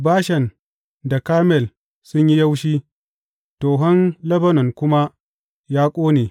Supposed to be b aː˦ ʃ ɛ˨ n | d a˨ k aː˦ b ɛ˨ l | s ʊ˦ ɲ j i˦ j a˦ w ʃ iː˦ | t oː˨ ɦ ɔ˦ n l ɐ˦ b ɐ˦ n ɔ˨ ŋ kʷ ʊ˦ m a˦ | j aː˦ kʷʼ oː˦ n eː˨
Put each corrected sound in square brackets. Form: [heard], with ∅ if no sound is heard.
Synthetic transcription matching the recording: b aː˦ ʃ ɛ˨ n | d a˨ k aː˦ [m] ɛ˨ l | s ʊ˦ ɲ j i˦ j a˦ w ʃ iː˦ | t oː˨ ɦ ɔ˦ n l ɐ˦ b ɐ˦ n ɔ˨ ŋ kʷ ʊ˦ m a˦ | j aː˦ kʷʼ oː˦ n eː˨